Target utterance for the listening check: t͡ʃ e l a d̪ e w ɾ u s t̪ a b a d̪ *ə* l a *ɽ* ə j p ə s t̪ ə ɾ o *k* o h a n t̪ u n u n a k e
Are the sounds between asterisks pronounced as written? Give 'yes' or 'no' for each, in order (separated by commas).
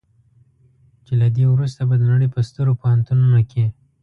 yes, yes, no